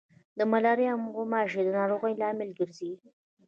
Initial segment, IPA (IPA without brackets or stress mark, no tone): d̪